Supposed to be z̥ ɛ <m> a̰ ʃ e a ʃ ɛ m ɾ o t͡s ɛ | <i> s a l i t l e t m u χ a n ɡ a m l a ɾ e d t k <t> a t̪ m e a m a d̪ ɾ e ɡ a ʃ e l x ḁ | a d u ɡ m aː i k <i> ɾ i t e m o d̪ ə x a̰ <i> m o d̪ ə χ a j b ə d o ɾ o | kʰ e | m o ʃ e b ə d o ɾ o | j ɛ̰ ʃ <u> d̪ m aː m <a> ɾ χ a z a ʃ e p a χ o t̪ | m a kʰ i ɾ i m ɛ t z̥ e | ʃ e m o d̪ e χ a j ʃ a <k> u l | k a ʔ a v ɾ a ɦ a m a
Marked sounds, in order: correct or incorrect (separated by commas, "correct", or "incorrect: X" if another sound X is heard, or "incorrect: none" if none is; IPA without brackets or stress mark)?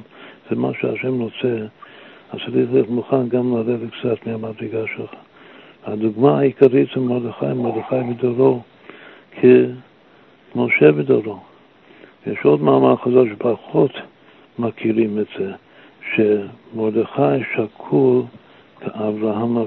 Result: correct, incorrect: a, incorrect: t͡s, incorrect: a, incorrect: j, incorrect: o, correct, incorrect: kʰ